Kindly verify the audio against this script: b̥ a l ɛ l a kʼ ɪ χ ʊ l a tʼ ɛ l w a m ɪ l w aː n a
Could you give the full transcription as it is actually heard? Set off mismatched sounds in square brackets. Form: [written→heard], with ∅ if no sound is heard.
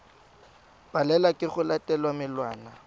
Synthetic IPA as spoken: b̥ a l ɛ l a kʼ ɪ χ ʊ l a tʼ ɛ l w a m ɪ l w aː n a